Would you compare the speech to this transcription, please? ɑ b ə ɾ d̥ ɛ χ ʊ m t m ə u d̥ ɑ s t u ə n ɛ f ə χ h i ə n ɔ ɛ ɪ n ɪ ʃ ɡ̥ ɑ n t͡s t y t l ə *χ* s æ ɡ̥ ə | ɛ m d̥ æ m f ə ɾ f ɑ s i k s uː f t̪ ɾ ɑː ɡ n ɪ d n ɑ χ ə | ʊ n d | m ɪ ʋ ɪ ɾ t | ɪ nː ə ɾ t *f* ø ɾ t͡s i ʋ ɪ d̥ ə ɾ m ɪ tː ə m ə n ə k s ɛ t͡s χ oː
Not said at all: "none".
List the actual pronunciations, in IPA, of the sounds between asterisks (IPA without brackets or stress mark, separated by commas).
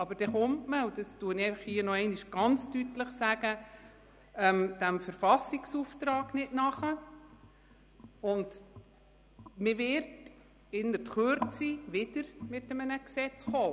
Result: χ, χ